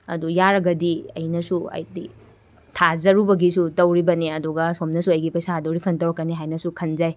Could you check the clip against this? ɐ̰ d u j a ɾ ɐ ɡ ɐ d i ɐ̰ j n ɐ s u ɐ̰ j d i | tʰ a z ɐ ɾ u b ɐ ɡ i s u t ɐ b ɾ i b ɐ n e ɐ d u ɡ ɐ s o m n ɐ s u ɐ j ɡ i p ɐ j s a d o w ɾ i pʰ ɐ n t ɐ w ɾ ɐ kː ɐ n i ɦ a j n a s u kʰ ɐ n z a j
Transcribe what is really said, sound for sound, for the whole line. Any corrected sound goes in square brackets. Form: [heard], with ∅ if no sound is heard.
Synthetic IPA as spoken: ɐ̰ d u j a ɾ ɐ ɡ ɐ d i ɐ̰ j n ɐ s u ɐ̰ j d i | tʰ a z ɐ ɾ u b ɐ ɡ i s u t ɐ [w] ɾ i b ɐ n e ɐ d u ɡ ɐ s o m n ɐ s u ɐ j ɡ i p ɐ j s a d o w ɾ i pʰ ɐ n t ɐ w ɾ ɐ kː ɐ n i ɦ a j n [ɐ] s u kʰ ɐ n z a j